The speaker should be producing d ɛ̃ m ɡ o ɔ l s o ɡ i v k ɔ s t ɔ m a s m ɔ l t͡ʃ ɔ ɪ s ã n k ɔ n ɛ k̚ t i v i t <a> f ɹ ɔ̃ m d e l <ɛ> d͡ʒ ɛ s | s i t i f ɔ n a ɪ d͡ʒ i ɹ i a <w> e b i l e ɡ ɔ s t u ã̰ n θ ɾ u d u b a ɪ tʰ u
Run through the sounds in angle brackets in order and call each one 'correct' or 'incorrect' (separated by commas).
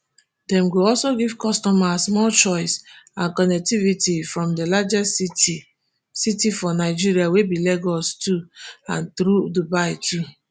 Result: incorrect, incorrect, correct